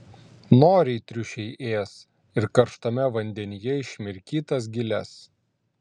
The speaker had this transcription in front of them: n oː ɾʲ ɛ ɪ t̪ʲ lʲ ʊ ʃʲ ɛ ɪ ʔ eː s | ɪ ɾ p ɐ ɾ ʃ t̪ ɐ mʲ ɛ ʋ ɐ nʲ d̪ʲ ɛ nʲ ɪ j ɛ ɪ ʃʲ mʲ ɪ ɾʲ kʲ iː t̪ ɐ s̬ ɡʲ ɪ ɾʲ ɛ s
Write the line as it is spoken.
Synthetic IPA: n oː ɾʲ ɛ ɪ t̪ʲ ɾʲ ʊ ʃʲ ɛ ɪ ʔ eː s | ɪ ɾ k ɐ ɾ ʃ t̪ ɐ mʲ ɛ ʋ ɐ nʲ d̪ʲ ɛ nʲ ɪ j ɛ ɪ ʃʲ mʲ ɪ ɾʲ kʲ iː t̪ ɐ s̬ ɡʲ ɪ lʲ ɛ s